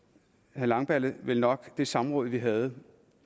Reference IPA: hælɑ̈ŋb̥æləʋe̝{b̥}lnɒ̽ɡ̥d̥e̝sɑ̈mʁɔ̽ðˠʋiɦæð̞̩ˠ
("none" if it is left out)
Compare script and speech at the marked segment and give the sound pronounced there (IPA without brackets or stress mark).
none